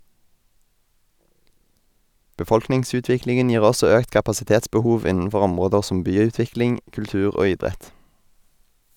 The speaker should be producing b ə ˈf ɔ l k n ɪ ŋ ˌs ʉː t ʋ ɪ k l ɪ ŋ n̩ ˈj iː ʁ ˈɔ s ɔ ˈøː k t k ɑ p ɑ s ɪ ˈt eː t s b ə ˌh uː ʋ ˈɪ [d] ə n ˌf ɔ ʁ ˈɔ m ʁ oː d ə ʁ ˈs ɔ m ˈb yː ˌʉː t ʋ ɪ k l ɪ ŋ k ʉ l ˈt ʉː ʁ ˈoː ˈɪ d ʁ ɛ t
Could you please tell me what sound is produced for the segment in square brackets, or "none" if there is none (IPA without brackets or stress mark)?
n